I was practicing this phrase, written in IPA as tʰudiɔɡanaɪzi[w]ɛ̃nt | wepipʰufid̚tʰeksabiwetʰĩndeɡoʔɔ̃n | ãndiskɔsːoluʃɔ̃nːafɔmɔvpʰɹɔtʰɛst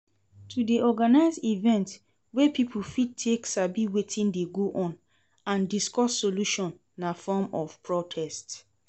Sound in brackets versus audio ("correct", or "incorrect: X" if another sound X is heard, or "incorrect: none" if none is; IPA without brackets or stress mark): incorrect: v